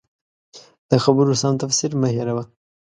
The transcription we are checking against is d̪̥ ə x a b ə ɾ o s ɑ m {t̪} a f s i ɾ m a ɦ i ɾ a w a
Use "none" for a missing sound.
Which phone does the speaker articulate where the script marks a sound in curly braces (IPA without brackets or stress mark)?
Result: t̪